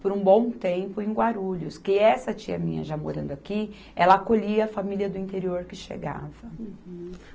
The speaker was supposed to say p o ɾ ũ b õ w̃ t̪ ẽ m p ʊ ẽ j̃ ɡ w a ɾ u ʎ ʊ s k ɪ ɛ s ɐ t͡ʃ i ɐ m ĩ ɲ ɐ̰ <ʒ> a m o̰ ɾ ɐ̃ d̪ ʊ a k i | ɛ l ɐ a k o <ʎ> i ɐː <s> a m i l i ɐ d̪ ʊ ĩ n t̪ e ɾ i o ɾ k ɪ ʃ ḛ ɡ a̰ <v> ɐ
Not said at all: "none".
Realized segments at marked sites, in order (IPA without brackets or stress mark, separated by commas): ʒ, ʎ, f, v